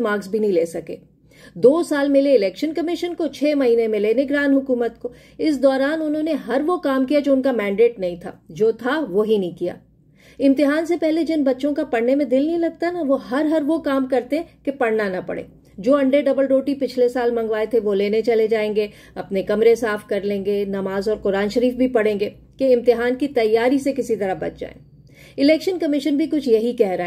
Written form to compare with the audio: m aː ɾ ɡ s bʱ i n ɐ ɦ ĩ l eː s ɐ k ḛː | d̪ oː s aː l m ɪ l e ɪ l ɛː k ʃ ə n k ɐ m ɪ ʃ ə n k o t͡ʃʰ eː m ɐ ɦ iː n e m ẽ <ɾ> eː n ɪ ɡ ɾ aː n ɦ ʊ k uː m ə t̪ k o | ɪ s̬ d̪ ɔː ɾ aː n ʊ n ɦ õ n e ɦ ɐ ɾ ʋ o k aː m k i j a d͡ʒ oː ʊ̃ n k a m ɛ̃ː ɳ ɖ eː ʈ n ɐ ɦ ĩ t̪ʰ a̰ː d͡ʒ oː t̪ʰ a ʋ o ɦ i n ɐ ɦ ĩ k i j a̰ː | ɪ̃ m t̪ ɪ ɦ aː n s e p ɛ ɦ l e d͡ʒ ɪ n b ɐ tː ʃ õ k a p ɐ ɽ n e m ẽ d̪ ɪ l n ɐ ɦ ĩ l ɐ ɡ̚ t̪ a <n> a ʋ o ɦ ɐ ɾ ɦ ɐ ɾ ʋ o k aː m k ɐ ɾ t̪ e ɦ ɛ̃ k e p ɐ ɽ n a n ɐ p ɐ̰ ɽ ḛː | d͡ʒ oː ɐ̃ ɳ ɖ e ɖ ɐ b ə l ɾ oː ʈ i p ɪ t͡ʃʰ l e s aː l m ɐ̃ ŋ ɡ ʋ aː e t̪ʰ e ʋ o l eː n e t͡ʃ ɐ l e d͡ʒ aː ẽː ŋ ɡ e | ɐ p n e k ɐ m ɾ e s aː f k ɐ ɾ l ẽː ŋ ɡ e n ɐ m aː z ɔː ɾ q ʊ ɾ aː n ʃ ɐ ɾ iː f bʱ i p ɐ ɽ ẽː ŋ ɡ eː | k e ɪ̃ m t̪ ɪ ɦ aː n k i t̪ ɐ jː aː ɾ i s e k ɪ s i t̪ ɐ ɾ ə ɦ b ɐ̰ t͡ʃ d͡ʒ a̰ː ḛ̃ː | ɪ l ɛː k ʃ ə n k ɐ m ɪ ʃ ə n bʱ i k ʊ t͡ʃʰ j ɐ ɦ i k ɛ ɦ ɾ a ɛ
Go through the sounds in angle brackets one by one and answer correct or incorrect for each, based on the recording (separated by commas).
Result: incorrect, correct